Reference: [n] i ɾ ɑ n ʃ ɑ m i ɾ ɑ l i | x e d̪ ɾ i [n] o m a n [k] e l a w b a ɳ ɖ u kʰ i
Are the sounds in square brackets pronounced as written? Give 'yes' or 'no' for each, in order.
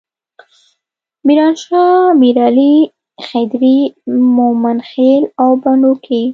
no, no, no

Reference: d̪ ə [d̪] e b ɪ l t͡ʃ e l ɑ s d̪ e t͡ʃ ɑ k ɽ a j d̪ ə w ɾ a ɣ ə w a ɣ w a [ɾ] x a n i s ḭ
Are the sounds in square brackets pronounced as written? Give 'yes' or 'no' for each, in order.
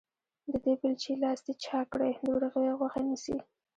yes, no

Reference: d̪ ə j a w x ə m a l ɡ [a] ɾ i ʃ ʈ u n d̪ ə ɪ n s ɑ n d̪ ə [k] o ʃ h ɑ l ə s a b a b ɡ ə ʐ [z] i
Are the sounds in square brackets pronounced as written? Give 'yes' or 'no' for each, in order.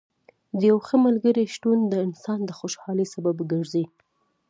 no, no, yes

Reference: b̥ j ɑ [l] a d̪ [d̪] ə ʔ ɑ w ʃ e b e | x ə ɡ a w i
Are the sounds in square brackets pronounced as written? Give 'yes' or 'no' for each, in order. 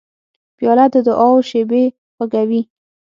yes, yes

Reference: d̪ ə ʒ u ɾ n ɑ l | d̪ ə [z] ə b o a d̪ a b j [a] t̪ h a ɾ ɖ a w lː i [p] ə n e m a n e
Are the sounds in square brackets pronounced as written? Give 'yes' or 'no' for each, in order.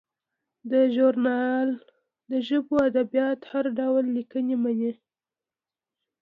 no, no, no

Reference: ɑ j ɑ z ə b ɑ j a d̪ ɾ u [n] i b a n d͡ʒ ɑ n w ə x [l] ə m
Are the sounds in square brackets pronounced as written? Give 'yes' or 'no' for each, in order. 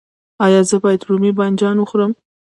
no, no

